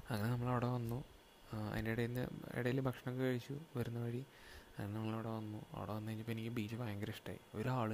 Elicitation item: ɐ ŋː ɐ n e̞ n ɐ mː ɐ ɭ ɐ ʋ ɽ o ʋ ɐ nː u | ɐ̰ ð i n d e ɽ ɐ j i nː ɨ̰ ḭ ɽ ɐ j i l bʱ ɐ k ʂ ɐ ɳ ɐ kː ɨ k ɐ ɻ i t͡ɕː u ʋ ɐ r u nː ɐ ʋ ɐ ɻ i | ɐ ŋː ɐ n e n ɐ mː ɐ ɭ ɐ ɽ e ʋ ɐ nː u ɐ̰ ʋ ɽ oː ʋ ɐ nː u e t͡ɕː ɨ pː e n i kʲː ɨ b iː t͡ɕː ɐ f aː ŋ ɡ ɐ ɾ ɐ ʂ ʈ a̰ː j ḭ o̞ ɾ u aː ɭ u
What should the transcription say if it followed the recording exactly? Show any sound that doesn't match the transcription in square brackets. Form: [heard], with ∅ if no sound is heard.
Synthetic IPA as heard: ɐ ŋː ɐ n e̞ n ɐ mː ɐ ɭ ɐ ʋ ɽ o ʋ ɐ nː u | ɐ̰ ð i n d e ɽ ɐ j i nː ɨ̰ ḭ ɽ ɐ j i l bʱ ɐ k ʂ ɐ ɳ ɐ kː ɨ k ɐ ɻ i t͡ɕː u ʋ ɐ [ɾ] u nː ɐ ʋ ɐ ɻ i | ɐ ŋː ɐ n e n ɐ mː ɐ ɭ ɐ ɽ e ʋ ɐ nː u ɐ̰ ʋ ɽ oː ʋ ɐ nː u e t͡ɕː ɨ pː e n i kʲː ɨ b iː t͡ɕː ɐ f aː ŋ ɡ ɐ ɾ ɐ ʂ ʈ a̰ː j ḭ o̞ ɾ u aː ɭ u